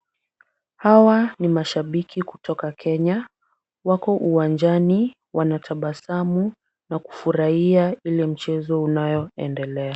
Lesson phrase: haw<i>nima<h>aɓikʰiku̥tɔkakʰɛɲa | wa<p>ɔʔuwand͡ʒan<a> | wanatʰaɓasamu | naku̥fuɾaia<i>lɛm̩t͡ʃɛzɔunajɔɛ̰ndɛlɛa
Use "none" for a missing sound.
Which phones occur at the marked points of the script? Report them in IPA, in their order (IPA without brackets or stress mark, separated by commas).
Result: a, ʃ, k, i, i